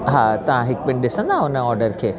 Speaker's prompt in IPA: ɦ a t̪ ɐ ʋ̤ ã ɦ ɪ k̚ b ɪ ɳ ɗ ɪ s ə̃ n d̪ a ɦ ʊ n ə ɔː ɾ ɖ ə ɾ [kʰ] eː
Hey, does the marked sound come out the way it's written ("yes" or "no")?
yes